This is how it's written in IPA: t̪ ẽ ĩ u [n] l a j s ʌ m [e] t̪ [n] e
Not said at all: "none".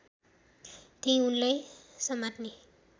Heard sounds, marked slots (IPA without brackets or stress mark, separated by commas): n, a, n